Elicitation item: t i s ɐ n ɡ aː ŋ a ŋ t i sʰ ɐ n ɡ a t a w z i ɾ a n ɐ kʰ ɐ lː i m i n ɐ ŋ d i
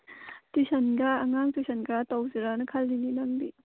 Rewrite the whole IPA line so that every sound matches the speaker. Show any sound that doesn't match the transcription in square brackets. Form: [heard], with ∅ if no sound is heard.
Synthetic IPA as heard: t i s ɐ n ɡ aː ŋ a ŋ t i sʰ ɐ n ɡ a t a w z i ɾ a n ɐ kʰ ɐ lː i [n] i n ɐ ŋ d i